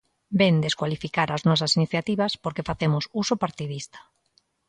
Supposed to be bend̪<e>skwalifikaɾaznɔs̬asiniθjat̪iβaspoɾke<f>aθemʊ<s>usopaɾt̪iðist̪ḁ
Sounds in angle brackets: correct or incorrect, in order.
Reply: correct, correct, correct

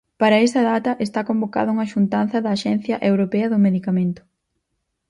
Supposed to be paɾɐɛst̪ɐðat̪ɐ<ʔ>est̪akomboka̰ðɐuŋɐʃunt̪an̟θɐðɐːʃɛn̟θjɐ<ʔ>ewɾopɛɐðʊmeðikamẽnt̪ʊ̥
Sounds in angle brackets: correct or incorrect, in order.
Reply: correct, correct

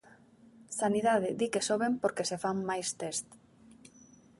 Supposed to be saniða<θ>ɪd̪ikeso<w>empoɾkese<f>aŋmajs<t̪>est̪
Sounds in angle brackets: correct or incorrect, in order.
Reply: incorrect, incorrect, correct, correct

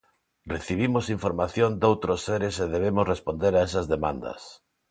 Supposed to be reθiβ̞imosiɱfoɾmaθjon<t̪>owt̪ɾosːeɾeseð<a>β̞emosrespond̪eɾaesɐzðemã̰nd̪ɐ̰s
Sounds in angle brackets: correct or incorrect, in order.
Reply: incorrect, incorrect

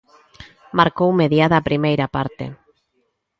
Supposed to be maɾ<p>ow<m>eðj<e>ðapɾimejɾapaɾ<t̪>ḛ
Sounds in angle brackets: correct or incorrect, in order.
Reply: incorrect, correct, incorrect, correct

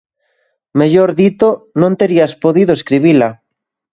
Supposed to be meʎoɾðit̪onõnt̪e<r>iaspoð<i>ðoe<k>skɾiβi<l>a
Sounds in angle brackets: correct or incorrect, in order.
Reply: incorrect, correct, incorrect, correct

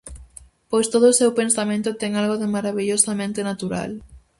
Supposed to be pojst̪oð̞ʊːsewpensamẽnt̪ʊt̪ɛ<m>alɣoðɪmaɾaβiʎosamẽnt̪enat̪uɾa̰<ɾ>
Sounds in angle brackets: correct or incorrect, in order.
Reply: incorrect, incorrect

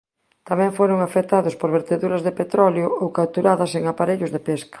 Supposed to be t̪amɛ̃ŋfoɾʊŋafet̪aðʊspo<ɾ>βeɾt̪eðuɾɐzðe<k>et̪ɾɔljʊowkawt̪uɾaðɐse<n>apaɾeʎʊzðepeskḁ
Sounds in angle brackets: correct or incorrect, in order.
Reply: correct, incorrect, incorrect

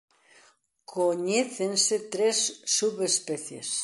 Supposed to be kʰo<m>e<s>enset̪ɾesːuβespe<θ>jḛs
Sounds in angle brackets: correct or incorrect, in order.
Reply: incorrect, incorrect, correct

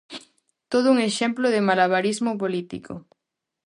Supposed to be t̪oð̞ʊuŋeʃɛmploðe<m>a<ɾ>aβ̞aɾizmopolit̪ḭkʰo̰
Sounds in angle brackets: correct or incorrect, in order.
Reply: correct, incorrect

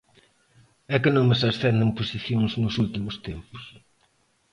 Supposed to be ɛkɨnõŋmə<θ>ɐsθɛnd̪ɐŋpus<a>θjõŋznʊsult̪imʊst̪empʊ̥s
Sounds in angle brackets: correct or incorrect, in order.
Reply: incorrect, incorrect

